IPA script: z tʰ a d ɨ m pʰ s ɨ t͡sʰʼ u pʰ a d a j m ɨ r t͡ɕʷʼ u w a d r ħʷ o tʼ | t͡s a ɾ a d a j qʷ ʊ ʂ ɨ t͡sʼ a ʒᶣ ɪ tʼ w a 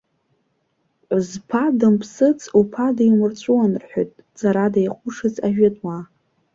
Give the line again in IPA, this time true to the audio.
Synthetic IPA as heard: z pʰ a d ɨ m pʰ s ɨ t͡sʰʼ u pʰ a d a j m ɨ r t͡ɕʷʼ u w a n r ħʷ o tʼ | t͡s a ɾ a d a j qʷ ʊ ʂ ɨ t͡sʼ a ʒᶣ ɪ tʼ w a